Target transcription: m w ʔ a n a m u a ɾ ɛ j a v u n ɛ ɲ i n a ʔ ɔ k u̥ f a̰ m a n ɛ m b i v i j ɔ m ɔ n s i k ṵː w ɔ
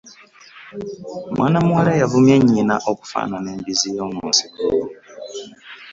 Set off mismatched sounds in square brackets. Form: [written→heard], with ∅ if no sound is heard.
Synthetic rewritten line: m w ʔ a n a m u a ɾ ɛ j a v u [n→m] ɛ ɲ i n a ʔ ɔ k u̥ f a̰ [m→n] a n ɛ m b i [v→z] i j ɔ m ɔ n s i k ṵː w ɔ